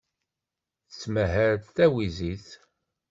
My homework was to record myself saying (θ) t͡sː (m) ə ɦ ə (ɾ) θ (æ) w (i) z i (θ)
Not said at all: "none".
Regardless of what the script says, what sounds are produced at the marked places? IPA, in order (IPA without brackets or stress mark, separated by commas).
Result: θ, m, ɾ, æ, i, θ